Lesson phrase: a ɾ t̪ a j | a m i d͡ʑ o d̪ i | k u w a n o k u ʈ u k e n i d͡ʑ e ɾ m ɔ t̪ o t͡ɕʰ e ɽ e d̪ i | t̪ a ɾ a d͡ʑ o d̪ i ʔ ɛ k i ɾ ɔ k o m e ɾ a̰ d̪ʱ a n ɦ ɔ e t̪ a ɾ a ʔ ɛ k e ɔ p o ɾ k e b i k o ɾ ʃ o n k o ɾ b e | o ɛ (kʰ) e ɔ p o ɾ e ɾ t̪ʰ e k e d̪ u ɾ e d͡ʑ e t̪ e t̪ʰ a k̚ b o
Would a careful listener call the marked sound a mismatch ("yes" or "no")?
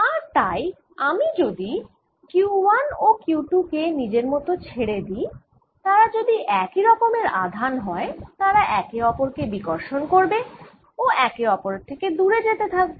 yes